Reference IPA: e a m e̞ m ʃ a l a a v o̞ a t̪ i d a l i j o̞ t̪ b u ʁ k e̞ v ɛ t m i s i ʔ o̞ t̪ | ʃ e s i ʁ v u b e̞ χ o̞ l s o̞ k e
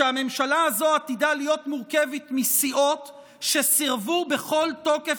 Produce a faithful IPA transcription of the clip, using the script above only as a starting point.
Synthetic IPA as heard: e a m e̞ m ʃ a l a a z o̞ a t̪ i d a l i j o̞ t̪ m u ʁ k e̞ v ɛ t m i s i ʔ o̞ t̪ | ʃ e s i ʁ v u b e̞ χ o̞ l t o̞ k e